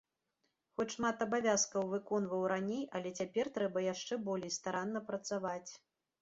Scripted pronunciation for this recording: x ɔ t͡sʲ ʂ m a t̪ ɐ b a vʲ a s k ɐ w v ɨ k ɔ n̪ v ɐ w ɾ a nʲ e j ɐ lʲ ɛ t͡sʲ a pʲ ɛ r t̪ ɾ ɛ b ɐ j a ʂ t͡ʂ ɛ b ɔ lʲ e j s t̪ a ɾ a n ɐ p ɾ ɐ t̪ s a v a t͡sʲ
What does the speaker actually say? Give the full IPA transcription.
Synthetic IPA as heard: x ɔ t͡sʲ ʂ m a t̪ ɐ b a vʲ a s k ɐ w v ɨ k ɔ n̪ v ɐ w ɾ a nʲ e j ɐ lʲ ɛ t͡sʲ a pʲ ɛ r t̪ ɾ ɛ b ɐ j a ʂ t͡ʂ ɛ b ɔ lʲ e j s t̪ a ɾ a nː ɐ p ɾ ɐ t̪ s a v a t͡sʲ